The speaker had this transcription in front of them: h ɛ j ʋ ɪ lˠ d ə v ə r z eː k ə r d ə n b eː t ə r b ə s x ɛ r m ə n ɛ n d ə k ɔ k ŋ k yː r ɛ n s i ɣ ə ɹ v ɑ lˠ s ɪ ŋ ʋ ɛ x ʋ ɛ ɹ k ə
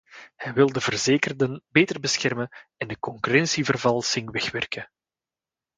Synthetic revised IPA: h ɛ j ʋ ɪ lˠ d ə v ə r z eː k ə r d ə n b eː t ə r b ə s x ɛ r m ə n ɛ n d ə k ɔ ŋ k y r ɛ n s i v ə r v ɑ lˠ s ɪ ŋ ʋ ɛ x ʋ ɛ r k ə